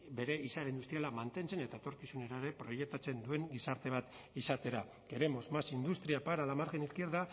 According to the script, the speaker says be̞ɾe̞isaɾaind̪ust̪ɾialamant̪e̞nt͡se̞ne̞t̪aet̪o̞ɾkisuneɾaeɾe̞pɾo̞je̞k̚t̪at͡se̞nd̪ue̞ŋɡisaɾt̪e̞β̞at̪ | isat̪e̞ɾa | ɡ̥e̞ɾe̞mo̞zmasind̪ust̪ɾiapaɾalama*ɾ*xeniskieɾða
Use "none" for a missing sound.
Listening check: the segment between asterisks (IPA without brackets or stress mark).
ɾ